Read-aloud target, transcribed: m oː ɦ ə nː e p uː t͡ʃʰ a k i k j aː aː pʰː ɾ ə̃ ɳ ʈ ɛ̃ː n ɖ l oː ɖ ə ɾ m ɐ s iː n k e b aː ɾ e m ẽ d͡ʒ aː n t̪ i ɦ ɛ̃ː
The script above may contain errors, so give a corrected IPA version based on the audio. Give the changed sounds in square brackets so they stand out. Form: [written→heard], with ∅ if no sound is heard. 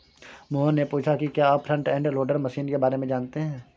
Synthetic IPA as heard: m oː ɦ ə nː e p uː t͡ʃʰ a k i k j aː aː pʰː ɾ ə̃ ɳ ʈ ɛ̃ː [n→ɳ] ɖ l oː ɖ ə ɾ m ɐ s iː n k e b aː ɾ e m ẽ d͡ʒ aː n t̪ [i→e] ɦ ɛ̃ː